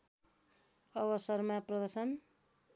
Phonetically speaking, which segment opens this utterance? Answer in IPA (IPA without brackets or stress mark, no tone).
ʌ